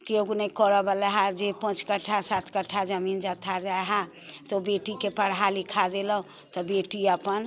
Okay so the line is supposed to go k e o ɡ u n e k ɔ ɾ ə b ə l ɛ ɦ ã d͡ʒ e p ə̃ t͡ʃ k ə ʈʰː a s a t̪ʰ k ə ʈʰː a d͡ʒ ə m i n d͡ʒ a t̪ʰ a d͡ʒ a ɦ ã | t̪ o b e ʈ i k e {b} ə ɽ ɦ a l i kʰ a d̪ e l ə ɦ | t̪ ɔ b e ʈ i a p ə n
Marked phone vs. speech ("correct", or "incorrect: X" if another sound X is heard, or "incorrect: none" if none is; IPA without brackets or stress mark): incorrect: p